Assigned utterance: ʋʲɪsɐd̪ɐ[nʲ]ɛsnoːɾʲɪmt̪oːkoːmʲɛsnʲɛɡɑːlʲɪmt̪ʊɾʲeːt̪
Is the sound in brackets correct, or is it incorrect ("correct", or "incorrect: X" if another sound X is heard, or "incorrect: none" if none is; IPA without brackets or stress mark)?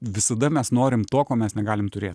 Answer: incorrect: mʲ